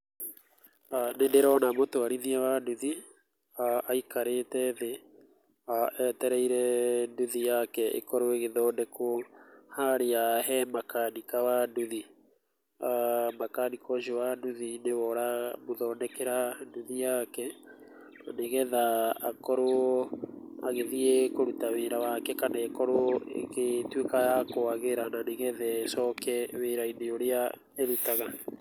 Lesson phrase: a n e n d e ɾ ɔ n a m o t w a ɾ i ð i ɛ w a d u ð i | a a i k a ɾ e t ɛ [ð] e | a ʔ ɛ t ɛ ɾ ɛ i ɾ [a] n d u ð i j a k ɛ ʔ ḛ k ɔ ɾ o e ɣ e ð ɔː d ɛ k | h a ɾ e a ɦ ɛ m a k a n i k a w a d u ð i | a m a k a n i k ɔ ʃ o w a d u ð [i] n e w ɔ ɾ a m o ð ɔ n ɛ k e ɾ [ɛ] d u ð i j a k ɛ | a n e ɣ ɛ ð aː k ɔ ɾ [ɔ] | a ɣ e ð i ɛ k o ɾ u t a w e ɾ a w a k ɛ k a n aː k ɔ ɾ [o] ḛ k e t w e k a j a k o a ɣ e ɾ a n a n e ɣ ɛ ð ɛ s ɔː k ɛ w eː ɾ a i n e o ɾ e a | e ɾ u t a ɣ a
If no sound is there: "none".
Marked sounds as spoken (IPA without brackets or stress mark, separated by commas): ð, ɛ, i, a, o, o